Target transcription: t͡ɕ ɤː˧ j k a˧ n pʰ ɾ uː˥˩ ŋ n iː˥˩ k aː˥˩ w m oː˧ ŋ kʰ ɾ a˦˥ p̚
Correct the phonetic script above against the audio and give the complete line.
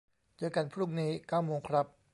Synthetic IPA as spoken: t͡ɕ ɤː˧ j k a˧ n pʰ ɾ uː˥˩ ŋ n iː˦˥ k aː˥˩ w m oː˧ ŋ kʰ ɾ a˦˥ p̚